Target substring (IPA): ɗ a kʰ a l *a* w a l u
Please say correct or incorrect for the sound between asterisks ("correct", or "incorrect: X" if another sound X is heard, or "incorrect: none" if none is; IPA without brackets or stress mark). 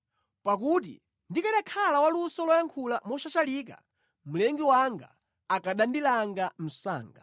correct